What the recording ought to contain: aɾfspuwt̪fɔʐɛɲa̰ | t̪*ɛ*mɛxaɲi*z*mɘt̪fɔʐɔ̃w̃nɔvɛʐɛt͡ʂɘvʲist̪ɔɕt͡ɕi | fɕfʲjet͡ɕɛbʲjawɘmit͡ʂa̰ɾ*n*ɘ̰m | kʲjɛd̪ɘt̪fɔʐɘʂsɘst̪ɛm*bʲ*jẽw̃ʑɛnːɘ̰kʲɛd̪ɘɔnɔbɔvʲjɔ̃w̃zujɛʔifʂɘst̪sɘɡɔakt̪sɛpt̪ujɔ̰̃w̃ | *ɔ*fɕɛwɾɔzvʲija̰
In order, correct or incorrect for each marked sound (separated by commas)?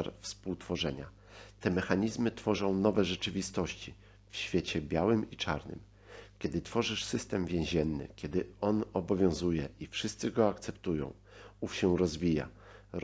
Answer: correct, correct, correct, incorrect, incorrect